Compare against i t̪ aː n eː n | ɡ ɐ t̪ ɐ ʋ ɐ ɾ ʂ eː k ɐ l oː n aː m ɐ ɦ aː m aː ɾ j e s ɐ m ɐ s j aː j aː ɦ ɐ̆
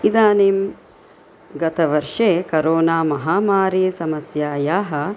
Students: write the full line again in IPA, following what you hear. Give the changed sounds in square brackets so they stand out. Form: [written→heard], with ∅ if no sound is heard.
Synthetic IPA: i [t̪→d̪] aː n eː [n→m] | ɡ ɐ t̪ ɐ ʋ ɐ ɾ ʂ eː k ɐ [l→ɾ] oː n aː m ɐ ɦ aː m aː ɾ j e s ɐ m ɐ s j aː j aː ɦ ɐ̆